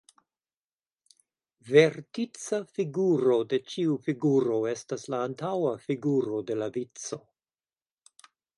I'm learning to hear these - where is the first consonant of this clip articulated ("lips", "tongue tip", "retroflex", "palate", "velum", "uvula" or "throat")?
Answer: lips